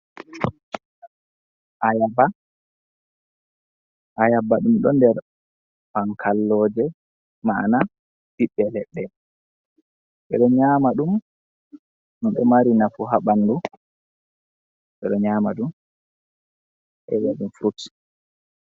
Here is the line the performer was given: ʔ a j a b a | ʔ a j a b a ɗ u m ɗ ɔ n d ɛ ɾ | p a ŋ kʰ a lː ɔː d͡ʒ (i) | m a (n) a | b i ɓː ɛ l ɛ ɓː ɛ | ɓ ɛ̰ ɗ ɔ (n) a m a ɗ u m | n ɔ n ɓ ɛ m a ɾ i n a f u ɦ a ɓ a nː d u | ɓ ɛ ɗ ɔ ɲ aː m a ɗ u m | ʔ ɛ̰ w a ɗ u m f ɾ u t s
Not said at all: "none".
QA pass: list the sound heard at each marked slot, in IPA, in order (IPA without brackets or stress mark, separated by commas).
ɛ, n, ɲ